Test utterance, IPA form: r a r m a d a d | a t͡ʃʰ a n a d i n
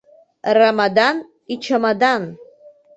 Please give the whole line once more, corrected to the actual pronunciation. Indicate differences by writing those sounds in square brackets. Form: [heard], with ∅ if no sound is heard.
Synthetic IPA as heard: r a [∅] m a d a [n] | [i] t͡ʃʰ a [m] a d [a] n